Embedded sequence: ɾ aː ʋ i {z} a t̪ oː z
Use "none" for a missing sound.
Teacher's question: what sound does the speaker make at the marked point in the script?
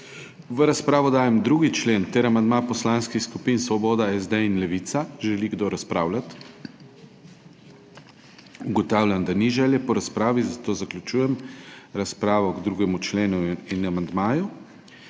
z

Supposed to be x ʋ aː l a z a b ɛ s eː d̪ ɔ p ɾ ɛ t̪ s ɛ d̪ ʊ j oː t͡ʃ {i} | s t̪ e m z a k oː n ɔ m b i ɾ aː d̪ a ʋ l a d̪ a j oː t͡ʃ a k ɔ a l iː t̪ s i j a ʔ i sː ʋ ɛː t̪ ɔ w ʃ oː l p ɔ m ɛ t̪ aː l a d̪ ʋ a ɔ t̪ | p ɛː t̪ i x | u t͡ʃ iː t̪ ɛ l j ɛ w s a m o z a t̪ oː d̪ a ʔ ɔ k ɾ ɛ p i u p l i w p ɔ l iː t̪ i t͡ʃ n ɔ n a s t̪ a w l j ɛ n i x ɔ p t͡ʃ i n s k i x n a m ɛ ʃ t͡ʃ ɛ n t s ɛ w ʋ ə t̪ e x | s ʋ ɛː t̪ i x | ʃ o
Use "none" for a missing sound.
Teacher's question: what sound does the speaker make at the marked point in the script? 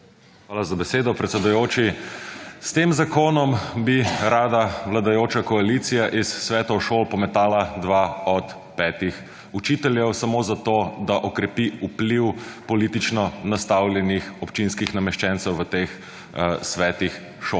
i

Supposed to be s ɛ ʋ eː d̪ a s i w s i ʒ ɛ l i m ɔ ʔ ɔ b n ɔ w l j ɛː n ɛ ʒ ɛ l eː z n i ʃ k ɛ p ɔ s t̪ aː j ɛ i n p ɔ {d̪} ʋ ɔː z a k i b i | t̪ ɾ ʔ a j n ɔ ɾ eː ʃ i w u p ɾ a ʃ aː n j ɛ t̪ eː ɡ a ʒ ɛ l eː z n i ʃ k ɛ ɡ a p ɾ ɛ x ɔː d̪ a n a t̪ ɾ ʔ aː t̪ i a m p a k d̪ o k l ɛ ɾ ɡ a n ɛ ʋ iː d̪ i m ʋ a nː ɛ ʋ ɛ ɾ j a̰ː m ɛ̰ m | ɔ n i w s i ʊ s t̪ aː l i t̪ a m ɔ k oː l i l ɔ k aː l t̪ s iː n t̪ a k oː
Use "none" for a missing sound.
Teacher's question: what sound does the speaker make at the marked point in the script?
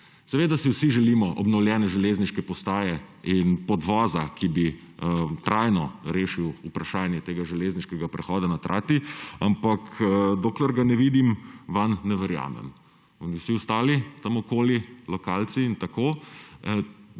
d̪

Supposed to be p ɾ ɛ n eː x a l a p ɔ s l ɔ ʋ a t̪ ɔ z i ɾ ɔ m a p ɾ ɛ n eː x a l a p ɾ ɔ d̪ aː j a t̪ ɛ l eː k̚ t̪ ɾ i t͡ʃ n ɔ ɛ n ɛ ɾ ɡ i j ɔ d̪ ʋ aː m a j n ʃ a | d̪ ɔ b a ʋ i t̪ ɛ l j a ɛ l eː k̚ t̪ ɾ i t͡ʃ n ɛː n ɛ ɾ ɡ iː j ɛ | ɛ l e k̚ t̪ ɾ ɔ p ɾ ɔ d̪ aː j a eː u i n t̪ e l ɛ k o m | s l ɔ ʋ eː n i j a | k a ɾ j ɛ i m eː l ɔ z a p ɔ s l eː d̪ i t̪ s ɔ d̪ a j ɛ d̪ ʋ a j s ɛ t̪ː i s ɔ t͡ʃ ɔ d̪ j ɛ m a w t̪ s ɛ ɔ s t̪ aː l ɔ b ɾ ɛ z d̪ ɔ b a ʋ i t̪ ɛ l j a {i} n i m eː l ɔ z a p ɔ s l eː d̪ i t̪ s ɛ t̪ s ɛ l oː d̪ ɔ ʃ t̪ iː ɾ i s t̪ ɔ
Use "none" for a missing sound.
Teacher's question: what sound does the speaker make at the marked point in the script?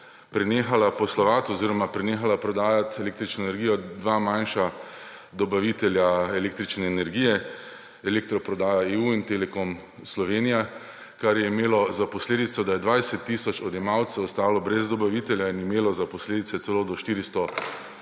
i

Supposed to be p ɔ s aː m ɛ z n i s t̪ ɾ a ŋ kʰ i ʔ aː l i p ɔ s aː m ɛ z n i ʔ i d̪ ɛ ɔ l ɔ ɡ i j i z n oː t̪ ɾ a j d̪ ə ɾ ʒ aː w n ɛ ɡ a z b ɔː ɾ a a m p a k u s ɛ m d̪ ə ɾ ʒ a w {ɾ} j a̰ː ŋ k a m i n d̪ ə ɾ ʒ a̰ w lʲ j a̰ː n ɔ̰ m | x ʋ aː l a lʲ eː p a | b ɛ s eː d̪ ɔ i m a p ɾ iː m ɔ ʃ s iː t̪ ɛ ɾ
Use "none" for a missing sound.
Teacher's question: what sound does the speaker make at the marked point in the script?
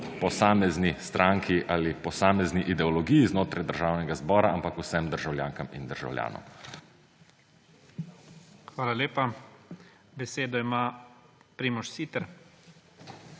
l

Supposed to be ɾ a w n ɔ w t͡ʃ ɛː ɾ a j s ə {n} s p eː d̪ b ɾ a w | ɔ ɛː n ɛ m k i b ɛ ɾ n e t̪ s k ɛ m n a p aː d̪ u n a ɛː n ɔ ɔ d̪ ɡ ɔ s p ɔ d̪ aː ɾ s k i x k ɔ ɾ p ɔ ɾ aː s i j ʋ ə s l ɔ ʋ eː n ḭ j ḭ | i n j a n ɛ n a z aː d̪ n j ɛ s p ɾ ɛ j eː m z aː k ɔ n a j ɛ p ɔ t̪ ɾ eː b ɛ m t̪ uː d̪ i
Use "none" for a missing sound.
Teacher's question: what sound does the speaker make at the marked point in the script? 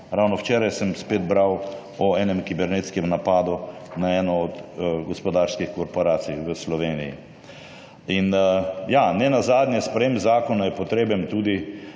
m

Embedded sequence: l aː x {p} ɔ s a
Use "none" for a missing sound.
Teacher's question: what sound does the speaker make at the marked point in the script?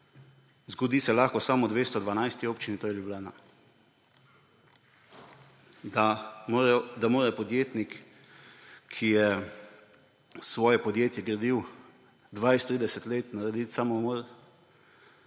k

